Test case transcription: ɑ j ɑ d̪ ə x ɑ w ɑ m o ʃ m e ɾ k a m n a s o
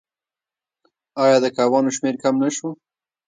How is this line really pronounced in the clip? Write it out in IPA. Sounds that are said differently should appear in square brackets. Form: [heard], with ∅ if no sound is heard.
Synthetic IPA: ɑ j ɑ d̪ ə [k] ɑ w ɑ [n] o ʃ m e ɾ k a m n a [ʃ] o